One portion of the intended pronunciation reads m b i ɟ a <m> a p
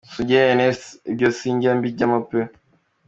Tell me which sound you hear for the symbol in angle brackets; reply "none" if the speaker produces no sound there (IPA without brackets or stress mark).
m